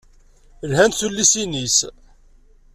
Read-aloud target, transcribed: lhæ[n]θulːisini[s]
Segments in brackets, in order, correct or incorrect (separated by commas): correct, correct